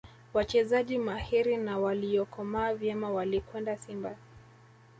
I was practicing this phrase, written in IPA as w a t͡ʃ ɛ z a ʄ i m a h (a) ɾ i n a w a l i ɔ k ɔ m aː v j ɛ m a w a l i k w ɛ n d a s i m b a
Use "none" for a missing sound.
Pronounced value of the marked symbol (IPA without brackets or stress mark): i